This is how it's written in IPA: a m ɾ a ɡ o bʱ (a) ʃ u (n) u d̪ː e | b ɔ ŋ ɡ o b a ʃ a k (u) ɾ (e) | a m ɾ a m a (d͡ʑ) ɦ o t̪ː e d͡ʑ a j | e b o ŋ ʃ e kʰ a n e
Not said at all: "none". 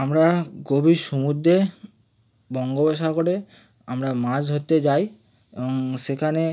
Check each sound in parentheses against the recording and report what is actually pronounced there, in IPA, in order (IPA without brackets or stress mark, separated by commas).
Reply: i, m, o, e, d͡ʑ